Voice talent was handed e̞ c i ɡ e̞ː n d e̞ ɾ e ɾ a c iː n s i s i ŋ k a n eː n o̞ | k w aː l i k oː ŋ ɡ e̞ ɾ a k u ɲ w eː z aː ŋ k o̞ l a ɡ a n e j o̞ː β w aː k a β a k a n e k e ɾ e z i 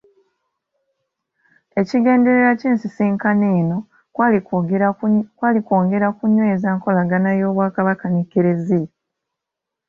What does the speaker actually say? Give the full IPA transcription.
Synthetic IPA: e̞ c i ɡ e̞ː n d e̞ ɾ e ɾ a c iː n s i s iː ŋ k a n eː n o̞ | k w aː l i k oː ŋ ɡ e̞ ɾ a k u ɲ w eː z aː ŋ k o̞ l a ɡ a n a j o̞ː β w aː k a β a k a n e k e ɾ e z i